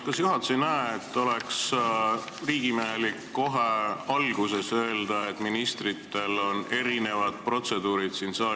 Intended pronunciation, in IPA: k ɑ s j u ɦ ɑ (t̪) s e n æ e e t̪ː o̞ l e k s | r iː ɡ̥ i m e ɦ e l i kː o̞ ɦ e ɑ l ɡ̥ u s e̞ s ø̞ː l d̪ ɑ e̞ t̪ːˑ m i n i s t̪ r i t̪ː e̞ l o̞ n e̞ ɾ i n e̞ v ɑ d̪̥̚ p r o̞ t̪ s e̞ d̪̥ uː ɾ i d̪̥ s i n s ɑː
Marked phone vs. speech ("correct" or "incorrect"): correct